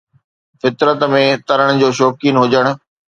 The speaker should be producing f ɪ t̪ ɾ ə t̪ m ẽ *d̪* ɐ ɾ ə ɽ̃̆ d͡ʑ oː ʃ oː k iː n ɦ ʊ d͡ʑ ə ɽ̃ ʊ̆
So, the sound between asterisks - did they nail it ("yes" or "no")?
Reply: no